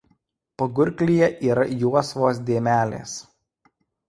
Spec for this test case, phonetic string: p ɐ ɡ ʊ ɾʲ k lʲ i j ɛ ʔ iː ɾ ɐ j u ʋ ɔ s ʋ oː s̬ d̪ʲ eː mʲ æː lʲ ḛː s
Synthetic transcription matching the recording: p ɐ ɡ ʊ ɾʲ k lʲ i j ɛ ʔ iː ɾ ɐ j u ɔ s ʋ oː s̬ d̪ʲ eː mʲ æː lʲ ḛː s